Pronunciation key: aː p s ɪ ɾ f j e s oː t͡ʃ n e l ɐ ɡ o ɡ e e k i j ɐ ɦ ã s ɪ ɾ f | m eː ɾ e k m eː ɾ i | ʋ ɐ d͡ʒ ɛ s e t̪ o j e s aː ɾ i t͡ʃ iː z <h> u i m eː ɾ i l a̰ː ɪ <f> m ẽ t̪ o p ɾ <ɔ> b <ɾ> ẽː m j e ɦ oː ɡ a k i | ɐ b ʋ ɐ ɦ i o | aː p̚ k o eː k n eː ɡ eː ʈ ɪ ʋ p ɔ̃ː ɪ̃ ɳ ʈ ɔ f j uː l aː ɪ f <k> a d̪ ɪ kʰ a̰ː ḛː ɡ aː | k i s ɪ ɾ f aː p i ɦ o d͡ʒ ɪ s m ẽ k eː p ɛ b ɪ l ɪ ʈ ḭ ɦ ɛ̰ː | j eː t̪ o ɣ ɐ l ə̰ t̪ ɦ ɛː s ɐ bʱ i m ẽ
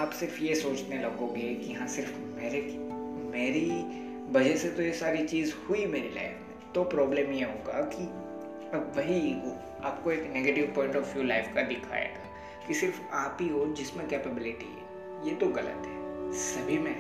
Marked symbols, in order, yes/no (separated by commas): yes, yes, no, no, yes